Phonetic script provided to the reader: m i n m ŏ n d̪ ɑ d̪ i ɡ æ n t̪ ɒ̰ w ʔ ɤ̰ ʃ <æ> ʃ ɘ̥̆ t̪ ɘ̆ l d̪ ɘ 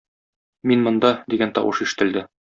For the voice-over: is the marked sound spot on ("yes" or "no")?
no